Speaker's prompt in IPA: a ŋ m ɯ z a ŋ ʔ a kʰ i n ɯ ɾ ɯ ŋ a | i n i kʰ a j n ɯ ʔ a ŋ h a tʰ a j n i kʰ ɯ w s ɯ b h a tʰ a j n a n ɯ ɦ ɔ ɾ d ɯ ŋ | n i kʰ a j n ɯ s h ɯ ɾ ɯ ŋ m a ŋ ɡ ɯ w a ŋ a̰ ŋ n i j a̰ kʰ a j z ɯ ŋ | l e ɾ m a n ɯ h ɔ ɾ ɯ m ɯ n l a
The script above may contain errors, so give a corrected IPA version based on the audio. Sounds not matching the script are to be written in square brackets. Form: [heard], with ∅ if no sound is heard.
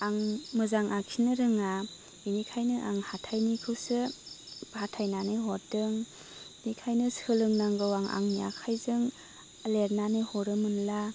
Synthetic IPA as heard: a ŋ m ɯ z a ŋ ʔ a kʰ i n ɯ ɾ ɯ ŋ a | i n i kʰ a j n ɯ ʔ a ŋ h a tʰ a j n i kʰ ɯ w s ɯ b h a tʰ a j n a n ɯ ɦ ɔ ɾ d ɯ ŋ | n i kʰ a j n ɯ s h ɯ [l] ɯ ŋ [n] a ŋ ɡ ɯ w a ŋ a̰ ŋ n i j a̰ kʰ a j z ɯ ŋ | l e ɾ [n] a n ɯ h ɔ ɾ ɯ m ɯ n l a